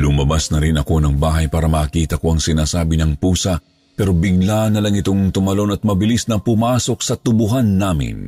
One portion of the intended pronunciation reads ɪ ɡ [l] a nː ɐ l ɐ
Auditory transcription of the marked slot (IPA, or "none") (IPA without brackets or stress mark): l